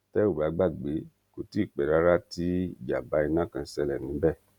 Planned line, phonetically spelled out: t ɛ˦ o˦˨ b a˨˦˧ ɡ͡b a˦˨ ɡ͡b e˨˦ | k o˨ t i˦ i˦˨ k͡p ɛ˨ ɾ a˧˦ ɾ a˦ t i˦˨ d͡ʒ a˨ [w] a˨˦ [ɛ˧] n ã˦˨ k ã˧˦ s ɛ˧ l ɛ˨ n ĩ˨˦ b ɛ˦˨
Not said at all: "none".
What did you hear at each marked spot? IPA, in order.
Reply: b, i˧

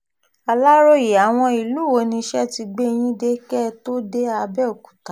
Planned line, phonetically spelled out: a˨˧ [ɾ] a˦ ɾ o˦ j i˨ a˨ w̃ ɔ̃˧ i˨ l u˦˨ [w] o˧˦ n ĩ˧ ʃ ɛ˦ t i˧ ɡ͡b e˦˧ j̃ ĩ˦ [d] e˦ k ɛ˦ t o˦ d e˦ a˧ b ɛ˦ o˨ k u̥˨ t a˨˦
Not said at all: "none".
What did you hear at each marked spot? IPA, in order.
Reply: l, w, d

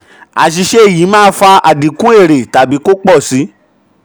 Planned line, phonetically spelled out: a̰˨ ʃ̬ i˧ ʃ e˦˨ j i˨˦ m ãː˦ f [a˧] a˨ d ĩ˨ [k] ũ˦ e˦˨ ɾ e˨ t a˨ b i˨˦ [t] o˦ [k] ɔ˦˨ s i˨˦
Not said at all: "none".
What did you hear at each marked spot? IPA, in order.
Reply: a˧, k, k, k͡p

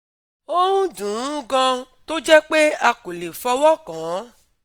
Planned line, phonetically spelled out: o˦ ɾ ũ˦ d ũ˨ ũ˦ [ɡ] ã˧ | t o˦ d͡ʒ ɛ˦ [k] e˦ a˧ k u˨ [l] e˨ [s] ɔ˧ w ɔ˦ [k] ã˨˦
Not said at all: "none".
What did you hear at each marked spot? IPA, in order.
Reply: ɡ, k͡p, l, f, k

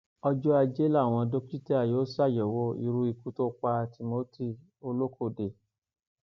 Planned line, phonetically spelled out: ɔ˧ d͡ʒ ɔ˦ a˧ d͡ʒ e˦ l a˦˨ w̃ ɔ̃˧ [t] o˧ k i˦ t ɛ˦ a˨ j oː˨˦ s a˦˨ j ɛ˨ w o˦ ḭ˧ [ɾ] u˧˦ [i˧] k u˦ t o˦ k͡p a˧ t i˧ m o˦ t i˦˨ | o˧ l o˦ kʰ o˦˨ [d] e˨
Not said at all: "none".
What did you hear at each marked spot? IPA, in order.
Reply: d, ɾ, i˧, d

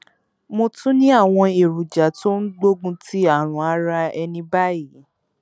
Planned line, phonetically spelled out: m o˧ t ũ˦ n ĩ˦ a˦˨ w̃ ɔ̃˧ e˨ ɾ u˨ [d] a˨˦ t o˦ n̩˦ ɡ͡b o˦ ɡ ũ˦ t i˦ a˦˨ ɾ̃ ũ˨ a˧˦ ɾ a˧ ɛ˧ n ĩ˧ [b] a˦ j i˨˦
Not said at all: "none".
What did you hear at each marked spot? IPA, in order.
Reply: d͡ʒ, b

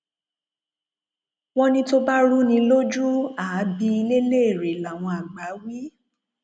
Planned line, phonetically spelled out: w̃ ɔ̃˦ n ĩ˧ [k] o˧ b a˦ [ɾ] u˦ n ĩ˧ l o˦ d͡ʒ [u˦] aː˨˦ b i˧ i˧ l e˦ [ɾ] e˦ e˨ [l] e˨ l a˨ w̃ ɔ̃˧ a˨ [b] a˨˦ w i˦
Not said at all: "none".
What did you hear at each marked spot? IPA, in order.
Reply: t, ɾ, u˦, l, ɾ, ɡ͡b

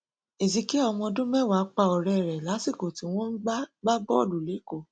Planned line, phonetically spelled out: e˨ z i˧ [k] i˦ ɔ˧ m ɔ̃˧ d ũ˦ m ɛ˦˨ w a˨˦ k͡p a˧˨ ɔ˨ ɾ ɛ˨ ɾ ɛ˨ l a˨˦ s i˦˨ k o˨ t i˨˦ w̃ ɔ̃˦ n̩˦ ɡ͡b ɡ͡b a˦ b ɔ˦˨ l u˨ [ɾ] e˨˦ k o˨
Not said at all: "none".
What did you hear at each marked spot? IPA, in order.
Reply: k, l

